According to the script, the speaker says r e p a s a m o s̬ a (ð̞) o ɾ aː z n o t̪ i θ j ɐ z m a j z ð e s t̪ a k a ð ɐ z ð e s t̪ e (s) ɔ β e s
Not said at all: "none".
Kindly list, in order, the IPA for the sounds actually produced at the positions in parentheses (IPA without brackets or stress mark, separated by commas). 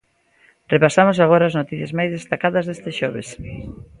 ɣ̞, ʃ